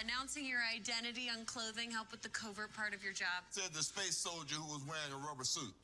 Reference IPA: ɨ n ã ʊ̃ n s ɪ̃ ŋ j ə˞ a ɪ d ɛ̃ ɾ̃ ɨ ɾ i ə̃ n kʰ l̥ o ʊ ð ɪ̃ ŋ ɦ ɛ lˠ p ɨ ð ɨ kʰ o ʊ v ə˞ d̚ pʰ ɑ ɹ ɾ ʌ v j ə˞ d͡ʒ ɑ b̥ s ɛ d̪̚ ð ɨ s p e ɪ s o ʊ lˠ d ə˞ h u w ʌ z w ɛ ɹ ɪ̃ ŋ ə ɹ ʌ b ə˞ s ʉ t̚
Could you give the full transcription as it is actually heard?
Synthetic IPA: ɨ n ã ʊ̃ n s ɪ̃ ŋ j ə˞ a ɪ d ɛ̃ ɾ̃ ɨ ɾ i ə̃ n kʰ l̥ o ʊ ð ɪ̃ ŋ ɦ ɛ lˠ p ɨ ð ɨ kʰ o ʊ v ə˞ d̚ pʰ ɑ ɹ ɾ ʌ v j ə˞ d͡ʒ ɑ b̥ s ɛ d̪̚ ð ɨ s p e ɪ s o ʊ lˠ d͡ʒ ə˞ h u w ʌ z w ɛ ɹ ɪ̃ ŋ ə ɹ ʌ b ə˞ s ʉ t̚

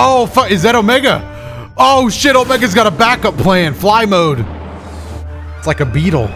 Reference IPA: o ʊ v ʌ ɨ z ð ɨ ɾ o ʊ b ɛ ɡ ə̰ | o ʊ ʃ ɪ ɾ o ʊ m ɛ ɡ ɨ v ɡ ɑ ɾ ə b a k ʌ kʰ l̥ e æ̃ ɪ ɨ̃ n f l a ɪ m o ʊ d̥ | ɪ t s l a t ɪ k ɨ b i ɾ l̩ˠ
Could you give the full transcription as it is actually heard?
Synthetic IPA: o ʊ f ʌ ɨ z ð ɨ ɾ o ʊ m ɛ ɡ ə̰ | o ʊ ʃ ɪ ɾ o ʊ m ɛ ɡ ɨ z ɡ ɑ ɾ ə b æ k ʌ pʰ l̥ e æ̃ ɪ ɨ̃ n f l a ɪ m o ʊ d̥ | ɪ t s l a ɪ k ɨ b i ɾ l̩ˠ

